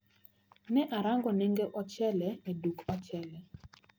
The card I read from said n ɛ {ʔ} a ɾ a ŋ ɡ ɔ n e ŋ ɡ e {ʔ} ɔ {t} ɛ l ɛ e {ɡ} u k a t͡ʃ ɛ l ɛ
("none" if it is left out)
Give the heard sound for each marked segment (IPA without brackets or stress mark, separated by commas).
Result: ʔ, ʔ, t͡ʃ, d